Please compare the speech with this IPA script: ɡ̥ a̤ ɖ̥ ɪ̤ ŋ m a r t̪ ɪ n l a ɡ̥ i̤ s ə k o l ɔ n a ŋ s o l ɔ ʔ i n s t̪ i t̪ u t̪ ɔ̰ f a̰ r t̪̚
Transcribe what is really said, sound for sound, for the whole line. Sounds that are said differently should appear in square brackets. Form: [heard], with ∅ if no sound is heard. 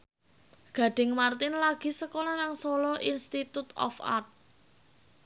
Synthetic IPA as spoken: ɡ̥ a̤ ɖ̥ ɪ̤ ŋ m a r t̪ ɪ n l a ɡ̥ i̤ s ə k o l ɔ n a ŋ s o l ɔ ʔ i n s t̪ i t̪ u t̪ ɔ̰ f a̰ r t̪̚